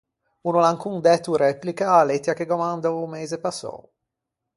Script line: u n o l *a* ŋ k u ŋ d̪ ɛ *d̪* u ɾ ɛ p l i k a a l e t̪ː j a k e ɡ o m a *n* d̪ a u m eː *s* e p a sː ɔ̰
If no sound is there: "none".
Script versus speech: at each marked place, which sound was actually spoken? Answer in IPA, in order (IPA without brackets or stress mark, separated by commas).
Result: a, t̪, n, z